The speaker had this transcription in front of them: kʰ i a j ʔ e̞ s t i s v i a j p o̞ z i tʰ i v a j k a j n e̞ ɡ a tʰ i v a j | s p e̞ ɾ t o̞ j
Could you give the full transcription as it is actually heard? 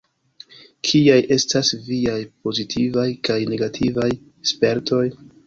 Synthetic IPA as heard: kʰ i a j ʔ e̞ s t a s v i a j p o̞ z i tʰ i v a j k a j n e̞ ɡ a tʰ i v a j | s p e̞ ɾ t o̞ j